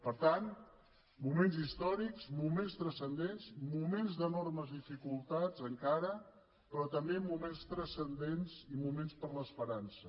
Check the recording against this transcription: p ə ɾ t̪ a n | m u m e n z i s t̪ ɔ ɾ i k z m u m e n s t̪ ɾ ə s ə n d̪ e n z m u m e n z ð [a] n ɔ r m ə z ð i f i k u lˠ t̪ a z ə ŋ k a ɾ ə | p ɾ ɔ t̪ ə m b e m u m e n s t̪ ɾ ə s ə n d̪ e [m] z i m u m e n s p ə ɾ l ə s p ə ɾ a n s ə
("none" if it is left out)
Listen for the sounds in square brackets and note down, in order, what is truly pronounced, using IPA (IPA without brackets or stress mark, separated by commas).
ə, n